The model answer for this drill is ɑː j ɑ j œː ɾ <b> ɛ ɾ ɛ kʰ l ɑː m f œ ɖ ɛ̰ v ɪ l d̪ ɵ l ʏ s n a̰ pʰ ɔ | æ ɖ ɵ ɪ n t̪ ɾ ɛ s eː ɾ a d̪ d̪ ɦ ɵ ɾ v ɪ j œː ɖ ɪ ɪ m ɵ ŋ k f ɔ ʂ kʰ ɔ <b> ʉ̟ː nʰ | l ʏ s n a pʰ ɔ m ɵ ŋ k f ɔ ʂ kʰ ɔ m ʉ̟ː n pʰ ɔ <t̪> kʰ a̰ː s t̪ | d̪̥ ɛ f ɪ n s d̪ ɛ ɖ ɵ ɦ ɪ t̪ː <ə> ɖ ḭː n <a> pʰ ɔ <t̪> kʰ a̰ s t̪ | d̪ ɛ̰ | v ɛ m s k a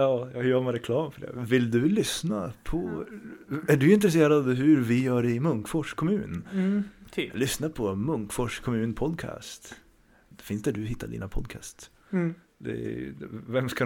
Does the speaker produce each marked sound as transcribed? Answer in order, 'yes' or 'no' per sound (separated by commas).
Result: no, no, no, no, yes, no